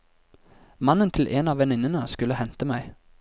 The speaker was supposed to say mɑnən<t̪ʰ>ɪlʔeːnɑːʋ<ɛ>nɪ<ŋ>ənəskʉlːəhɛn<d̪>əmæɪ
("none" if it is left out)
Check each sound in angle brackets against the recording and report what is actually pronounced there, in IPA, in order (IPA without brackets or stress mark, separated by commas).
t̪ʰ, ɛ, n, t̪